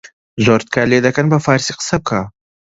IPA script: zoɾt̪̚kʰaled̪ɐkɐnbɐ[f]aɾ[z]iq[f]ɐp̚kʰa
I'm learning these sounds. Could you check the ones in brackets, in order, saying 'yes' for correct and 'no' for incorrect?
yes, no, no

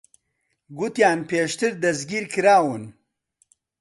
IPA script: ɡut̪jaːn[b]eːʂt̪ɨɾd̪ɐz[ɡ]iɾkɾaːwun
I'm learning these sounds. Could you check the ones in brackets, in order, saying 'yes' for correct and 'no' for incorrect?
no, yes

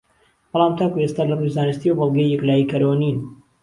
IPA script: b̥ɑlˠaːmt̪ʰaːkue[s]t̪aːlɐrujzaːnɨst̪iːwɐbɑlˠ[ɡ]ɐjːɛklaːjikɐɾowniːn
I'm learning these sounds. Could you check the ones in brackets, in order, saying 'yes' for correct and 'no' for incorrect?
yes, yes

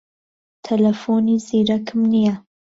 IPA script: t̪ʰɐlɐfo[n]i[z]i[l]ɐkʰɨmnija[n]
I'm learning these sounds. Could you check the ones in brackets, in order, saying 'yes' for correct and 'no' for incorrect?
yes, yes, no, no

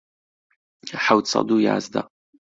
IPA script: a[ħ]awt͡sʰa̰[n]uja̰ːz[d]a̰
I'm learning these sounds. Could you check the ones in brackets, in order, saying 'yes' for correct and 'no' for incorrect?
yes, no, yes

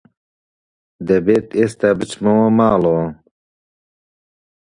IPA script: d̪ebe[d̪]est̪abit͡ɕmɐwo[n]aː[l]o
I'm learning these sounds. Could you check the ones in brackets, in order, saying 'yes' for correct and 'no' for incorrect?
no, no, yes

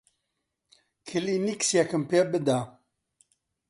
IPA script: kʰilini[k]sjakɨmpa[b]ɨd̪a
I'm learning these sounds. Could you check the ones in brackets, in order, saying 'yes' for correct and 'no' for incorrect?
yes, yes

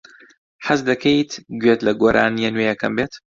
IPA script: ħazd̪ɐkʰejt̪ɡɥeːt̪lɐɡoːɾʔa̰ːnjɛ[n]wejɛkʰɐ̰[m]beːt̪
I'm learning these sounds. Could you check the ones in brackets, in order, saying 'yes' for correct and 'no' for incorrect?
yes, yes

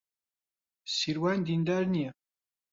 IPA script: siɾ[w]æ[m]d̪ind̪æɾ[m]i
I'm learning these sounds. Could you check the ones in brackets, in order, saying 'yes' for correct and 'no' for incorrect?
yes, no, no

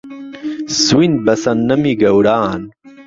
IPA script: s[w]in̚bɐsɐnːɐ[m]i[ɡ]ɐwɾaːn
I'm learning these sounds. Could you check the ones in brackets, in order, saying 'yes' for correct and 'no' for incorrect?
yes, yes, yes

